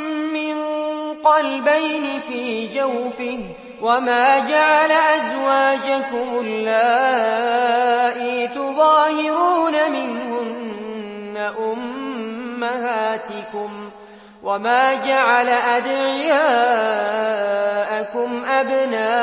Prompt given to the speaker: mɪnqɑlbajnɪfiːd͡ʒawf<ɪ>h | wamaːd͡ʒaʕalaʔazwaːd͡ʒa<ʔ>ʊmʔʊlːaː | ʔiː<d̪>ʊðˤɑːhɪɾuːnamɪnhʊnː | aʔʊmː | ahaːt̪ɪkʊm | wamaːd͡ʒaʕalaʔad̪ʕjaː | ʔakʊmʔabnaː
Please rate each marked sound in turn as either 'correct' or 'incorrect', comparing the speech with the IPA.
correct, incorrect: k, incorrect: t̪

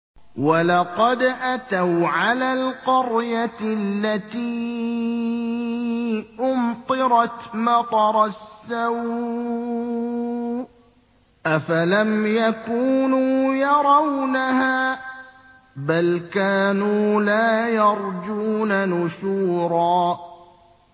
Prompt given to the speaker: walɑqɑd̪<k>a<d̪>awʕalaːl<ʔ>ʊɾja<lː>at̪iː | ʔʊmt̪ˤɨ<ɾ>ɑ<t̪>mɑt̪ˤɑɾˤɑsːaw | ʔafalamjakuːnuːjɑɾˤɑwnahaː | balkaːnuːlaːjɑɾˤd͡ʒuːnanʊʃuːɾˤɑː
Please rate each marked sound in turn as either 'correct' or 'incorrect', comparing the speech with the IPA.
incorrect: ʔ, incorrect: t̪, incorrect: q, correct, correct, correct

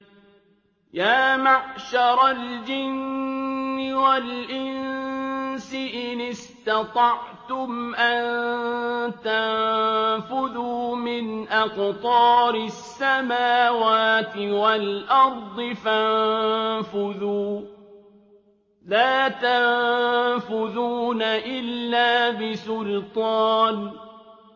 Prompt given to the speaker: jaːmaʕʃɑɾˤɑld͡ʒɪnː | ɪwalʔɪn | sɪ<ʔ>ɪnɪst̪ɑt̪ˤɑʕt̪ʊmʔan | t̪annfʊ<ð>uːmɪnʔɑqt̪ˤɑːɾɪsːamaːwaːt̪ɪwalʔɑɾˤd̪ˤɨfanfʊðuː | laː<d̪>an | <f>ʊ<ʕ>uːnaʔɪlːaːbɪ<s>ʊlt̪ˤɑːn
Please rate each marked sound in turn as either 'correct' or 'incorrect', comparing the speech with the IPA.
correct, correct, incorrect: t̪, correct, incorrect: ð, correct

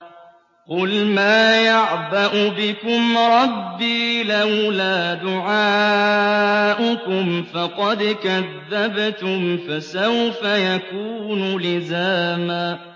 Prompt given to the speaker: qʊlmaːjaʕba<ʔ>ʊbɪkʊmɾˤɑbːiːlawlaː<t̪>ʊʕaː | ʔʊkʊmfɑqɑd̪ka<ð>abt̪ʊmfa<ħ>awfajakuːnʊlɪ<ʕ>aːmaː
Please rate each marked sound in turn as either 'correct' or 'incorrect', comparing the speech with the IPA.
correct, incorrect: d̪, incorrect: ðː, incorrect: s, incorrect: z

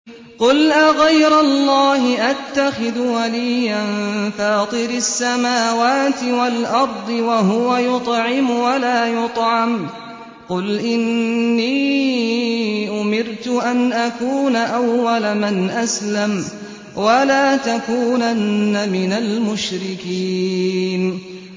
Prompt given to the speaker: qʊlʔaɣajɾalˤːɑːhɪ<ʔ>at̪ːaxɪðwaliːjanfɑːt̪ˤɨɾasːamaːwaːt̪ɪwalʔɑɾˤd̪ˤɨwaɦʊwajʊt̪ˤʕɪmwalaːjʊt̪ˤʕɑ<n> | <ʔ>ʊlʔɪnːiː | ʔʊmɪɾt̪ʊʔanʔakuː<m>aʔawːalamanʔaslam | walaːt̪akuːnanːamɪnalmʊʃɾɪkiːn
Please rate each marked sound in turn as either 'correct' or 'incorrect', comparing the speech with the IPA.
correct, incorrect: m, incorrect: q, incorrect: n

